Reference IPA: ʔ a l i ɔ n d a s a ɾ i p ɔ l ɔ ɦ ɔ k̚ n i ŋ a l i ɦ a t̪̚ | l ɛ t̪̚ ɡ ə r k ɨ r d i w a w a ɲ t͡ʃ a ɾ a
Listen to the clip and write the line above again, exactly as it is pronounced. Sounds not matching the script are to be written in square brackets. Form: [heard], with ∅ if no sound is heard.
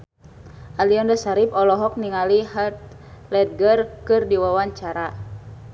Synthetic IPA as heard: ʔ a l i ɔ n d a s a ɾ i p ɔ l ɔ ɦ ɔ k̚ n i ŋ a l i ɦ a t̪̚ | l ɛ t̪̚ ɡ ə r k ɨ r d i w a w a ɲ t͡ʃ a ɾ a